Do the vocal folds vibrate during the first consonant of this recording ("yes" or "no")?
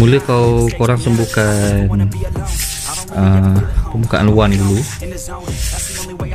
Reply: yes